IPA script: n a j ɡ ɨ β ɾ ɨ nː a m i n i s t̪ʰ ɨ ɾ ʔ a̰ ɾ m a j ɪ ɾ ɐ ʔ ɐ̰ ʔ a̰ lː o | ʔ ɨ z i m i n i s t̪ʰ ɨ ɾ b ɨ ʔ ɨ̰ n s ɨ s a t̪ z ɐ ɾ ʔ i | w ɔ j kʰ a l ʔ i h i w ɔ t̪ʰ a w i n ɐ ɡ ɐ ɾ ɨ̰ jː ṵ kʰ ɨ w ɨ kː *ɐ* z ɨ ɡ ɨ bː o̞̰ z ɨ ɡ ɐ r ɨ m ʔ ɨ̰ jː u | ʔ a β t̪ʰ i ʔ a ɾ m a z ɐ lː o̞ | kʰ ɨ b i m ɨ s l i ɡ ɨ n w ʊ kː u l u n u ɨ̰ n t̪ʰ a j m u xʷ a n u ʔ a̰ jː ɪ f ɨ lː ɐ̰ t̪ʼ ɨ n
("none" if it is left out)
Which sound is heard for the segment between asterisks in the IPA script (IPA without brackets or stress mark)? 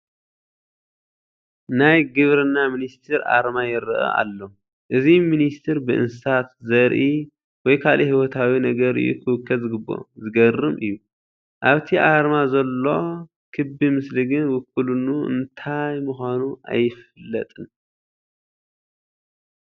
ɐ